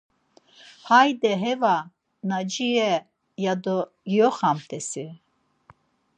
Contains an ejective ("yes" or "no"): no